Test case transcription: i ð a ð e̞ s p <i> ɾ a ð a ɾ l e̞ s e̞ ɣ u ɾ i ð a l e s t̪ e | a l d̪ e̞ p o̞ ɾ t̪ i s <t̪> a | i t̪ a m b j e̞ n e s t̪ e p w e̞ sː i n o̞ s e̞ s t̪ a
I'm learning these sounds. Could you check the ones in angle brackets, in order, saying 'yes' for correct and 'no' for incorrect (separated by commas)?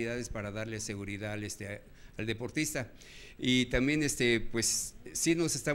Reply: no, yes